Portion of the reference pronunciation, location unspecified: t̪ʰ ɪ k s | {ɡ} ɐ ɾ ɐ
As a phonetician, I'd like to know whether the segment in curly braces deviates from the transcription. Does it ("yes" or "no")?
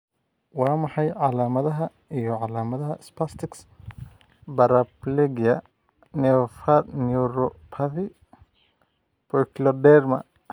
yes